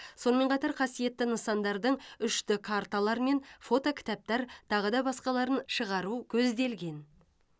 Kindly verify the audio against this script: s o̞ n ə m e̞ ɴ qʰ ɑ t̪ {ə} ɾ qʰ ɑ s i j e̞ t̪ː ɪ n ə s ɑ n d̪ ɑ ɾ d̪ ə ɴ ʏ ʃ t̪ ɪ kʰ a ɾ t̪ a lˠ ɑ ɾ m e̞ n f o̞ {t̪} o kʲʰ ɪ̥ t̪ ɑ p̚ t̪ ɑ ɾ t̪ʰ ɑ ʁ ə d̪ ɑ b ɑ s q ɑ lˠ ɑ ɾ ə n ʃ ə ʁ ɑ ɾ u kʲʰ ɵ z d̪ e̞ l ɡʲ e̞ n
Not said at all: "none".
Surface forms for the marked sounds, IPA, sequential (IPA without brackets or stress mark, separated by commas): ɑ, t̪